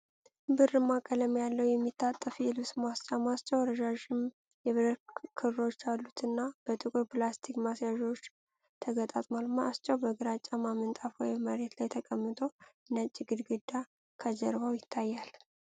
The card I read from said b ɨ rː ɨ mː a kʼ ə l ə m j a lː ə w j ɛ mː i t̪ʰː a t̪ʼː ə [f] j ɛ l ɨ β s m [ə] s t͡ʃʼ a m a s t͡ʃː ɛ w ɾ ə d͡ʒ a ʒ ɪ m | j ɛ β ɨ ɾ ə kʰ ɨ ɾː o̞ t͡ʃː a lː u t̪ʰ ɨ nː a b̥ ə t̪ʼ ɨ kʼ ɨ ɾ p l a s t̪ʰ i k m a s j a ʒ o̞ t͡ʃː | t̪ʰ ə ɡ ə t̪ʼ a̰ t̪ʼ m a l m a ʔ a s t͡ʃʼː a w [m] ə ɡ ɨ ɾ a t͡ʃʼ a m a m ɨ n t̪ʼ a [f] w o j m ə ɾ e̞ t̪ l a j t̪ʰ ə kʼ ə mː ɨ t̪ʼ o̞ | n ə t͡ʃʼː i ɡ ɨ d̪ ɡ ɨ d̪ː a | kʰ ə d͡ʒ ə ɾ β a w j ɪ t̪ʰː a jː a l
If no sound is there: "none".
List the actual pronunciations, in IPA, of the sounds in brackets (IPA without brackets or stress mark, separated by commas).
f, a, b, f